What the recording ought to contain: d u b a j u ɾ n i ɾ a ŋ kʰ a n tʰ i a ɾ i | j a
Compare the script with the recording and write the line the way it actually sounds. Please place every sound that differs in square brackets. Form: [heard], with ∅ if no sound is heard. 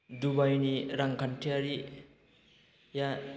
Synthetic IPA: d u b a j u [∅] n i ɾ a ŋ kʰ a n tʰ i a ɾ i | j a